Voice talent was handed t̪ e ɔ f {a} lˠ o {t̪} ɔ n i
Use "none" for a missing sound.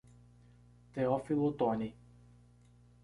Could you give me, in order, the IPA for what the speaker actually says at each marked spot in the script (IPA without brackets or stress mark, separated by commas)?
i, t̪